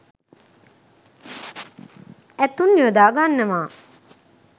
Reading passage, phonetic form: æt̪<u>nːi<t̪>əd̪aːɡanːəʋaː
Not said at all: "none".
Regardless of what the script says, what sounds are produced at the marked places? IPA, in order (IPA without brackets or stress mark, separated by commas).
u, none